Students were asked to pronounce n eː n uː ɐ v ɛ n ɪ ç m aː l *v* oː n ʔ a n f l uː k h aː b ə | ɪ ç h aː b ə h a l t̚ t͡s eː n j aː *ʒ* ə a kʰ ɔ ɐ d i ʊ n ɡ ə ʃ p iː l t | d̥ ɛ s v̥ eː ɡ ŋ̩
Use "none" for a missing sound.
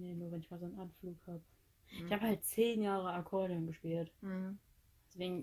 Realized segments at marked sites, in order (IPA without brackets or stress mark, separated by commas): z, ʁ